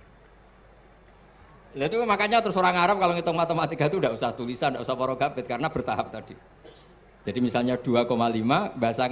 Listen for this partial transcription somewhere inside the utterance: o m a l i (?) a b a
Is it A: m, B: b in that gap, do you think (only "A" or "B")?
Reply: A